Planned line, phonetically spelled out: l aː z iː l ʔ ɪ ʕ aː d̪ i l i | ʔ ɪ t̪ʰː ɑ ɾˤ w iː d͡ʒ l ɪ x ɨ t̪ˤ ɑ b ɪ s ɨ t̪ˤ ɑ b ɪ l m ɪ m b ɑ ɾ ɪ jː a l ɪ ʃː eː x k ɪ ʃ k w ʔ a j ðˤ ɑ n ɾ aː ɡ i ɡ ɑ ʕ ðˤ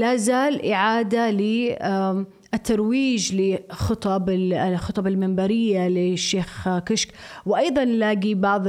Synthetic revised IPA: l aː z aː l ʔ ɪ ʕ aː d̪ a l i | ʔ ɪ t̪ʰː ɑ ɾˤ w iː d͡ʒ l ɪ x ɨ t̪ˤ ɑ b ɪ x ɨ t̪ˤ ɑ b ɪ l m ɪ m b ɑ ɾ ɪ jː a l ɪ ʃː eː x k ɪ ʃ k w ʔ ɑ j ðˤ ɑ n l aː ɡ i b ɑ ʕ ðˤ